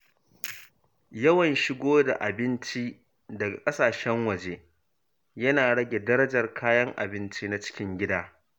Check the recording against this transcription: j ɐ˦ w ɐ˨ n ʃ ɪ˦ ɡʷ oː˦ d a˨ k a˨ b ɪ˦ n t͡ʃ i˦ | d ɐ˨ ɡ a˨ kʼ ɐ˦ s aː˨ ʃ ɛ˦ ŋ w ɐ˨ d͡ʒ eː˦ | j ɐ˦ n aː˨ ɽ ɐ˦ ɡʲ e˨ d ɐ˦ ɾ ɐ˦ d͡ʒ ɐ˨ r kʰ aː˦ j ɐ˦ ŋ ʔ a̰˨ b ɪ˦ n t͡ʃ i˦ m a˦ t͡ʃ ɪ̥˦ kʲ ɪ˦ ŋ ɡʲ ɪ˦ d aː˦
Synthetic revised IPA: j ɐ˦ w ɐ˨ n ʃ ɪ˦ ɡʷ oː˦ d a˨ ʔ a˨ b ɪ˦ n t͡ʃ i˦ | d ɐ˨ ɡ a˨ kʼ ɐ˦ s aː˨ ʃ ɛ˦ ŋ w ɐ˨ d͡ʒ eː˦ | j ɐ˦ n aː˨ ɽ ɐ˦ ɡʲ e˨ d ɐ˦ ɾ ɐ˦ d͡ʒ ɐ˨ r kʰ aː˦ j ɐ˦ ŋ ʔ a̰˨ b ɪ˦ n t͡ʃ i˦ n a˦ t͡ʃ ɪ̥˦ kʲ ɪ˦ ŋ ɡʲ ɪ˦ d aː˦